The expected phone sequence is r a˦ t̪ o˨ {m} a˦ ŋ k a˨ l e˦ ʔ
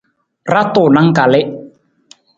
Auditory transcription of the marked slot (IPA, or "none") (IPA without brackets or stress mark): n